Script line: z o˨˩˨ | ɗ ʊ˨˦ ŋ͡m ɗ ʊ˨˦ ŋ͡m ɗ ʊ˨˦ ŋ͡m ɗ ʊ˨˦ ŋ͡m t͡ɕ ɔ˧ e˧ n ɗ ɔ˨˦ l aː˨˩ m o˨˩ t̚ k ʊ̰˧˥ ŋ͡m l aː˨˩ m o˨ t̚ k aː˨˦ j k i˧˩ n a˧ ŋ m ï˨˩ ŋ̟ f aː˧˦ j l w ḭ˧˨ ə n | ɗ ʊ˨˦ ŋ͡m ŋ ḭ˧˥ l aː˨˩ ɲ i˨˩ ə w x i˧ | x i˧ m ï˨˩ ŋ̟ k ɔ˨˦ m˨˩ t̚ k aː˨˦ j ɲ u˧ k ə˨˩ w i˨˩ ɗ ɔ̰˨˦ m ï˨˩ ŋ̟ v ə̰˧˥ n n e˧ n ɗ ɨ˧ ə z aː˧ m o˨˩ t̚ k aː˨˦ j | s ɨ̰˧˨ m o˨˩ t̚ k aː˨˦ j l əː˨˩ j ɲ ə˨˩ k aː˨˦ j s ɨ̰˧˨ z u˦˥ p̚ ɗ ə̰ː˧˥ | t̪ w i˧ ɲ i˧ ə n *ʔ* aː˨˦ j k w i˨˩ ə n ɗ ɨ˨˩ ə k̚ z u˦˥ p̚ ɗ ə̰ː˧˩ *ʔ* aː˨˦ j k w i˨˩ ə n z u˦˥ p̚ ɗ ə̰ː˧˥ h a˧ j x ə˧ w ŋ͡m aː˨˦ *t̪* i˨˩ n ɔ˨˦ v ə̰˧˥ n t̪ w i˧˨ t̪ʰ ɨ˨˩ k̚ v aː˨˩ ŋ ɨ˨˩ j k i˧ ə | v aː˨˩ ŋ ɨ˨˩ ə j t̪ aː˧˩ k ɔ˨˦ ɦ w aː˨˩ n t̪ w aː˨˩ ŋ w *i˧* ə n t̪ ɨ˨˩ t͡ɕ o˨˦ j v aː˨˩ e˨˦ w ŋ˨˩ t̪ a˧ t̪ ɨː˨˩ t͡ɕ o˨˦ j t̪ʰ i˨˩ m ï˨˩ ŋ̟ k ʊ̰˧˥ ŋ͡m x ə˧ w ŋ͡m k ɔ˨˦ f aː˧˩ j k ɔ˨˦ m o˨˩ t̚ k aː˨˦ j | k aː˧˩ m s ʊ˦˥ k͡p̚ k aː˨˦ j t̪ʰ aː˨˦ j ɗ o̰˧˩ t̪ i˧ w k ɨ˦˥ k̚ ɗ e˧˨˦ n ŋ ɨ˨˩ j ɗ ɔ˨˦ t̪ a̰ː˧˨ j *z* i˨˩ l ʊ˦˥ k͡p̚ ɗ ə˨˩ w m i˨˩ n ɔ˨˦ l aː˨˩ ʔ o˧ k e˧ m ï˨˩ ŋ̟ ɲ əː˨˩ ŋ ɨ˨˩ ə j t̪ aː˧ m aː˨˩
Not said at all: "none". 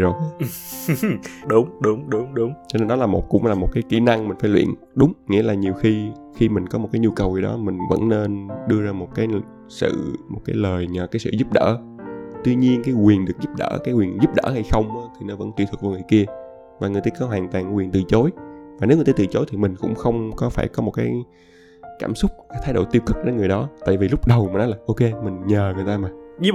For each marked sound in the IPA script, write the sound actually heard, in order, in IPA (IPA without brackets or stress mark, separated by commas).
k, k, t̪ʰ, i˨˩, v